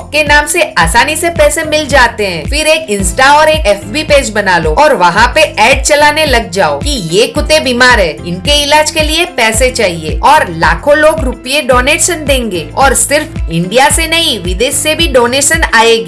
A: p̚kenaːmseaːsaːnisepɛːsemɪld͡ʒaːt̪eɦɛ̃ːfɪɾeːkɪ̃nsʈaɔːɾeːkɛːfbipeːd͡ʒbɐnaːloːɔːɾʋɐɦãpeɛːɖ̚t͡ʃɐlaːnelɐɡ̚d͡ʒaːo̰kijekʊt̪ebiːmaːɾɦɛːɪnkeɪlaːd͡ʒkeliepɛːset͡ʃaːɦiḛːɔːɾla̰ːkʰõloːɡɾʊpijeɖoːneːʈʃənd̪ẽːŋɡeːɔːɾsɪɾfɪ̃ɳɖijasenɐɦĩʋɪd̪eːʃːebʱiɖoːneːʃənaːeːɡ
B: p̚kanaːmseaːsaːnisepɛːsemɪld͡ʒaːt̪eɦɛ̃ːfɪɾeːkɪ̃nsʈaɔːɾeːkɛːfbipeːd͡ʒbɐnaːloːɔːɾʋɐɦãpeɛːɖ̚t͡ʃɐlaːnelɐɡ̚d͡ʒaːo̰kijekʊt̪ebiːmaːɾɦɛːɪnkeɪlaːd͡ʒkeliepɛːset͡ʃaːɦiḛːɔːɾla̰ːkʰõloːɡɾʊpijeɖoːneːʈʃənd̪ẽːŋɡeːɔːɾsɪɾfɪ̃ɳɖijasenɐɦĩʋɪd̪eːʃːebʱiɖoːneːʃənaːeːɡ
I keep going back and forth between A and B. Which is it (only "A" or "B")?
A